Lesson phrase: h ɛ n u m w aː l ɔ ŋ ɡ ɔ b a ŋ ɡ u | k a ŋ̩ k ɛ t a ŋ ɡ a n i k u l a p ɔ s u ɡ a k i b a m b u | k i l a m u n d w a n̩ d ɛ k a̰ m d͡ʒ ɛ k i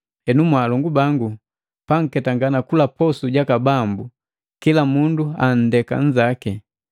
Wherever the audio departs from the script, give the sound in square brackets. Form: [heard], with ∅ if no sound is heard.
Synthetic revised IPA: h ɛ n u m w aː l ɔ ŋ ɡ [u] b a ŋ ɡ u | [p] a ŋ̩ k ɛ t a ŋ ɡ a n [a] k u l a p ɔ s u [ɟ] a k [a] b a m b u | k i l a m u n d [u] a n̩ d ɛ k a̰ [ɲ] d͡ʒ [a] k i